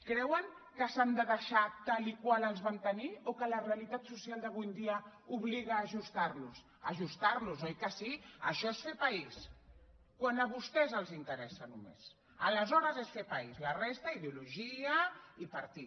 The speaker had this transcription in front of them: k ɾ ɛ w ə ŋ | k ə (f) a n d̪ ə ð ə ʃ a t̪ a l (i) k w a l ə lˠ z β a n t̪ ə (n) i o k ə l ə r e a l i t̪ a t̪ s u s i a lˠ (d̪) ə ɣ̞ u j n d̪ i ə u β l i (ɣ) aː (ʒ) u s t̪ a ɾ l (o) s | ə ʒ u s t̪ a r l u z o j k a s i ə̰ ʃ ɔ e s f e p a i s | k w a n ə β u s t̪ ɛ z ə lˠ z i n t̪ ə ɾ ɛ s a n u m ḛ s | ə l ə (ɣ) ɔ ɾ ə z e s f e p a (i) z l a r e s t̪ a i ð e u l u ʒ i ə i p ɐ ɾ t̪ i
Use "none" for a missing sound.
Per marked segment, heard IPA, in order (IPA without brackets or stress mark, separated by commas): s, i, n, d̪, ɣ, ʒ, u, z, i